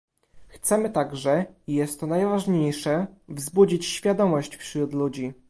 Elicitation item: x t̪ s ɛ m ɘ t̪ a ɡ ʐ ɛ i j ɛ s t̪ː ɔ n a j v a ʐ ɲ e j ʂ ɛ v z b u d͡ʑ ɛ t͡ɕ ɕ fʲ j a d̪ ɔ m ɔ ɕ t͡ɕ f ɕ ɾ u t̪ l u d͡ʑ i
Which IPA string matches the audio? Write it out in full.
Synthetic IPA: x t̪ s ɛ m ɘ t̪ a ɡ ʐ ɛ i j ɛ s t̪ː ɔ n a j v a ʐ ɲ e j ʂ ɛ v z b u d͡ʑ i t͡ɕ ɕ fʲ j a d̪ ɔ m ɔ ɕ t͡ɕ f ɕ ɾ u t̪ l u d͡ʑ i